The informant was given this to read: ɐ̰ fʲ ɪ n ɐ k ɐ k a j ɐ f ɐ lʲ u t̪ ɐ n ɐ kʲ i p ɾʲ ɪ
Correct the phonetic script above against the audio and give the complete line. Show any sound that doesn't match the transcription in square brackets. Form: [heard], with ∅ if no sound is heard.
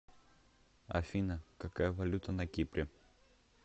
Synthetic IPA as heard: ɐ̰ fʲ [i] n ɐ k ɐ k a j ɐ [v] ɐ lʲ u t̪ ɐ n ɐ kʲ i p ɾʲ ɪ